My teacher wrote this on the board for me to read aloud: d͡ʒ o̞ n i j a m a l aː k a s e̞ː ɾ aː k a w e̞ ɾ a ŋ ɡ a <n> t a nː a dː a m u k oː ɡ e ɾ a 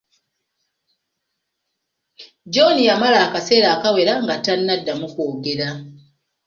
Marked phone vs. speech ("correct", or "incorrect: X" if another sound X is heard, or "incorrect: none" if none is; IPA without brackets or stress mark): incorrect: none